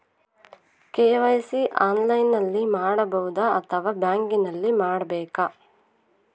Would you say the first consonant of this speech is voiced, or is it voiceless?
voiceless